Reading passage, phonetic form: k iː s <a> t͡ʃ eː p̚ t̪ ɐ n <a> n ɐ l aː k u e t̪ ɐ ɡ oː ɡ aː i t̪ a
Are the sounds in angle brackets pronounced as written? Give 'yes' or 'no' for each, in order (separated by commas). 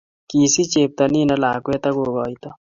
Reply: no, no